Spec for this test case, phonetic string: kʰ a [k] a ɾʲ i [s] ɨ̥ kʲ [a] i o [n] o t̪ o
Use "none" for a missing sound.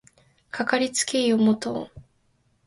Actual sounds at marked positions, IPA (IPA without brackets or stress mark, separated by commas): k, t͡s, e, m